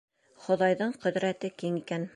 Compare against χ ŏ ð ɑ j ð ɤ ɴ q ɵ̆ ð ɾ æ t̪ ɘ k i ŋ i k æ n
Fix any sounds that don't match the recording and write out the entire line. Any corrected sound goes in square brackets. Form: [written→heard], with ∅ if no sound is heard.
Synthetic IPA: χ ŏ ð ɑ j ð ɤ ɴ q ɵ̆ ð ɾ æ t̪ ɘ k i ŋ i k æ n